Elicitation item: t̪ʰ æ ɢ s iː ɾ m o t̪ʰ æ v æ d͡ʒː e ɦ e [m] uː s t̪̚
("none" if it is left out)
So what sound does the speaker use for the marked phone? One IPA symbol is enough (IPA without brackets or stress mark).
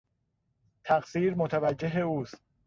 none